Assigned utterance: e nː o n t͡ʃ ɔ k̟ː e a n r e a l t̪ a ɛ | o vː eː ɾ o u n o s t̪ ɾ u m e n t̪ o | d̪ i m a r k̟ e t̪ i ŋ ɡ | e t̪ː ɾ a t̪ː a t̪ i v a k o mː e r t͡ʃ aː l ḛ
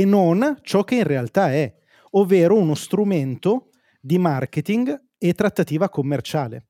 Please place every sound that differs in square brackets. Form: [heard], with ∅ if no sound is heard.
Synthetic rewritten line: e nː o n t͡ʃ ɔ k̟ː e [i] n r e a l t̪ a ɛ | o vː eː ɾ o u n o s t̪ ɾ u m e n t̪ o | d̪ i m a r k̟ e t̪ i ŋ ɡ | e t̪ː ɾ a t̪ː a t̪ [iː] v a k o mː e r t͡ʃ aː l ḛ